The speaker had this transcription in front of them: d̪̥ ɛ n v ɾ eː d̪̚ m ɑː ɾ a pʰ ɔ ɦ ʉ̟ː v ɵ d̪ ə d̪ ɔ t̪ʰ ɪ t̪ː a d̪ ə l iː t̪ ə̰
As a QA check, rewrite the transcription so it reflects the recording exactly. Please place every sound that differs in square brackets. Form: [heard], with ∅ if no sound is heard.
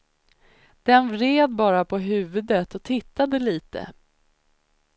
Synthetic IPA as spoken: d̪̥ ɛ n v ɾ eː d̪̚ [b] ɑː ɾ a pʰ ɔ ɦ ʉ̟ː v ɵ d̪ ə [t̪] ɔ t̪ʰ ɪ t̪ː a d̪ ə l iː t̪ ə̰